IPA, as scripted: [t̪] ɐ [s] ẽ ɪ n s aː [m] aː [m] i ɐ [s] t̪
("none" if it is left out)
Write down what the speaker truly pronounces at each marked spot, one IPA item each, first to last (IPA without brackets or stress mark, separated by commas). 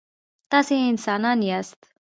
t̪, s, n, n, s